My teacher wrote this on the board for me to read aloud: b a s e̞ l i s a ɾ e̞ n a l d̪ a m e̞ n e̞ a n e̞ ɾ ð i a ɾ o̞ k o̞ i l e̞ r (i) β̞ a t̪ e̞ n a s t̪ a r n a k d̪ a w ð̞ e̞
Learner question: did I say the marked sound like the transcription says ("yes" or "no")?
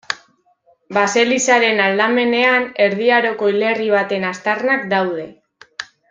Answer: yes